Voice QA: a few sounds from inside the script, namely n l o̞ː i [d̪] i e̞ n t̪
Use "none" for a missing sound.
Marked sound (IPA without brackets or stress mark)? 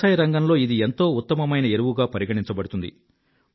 d̪